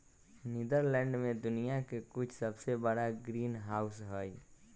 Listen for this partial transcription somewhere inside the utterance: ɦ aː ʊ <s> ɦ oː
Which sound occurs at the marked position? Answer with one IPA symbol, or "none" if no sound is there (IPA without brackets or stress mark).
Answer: s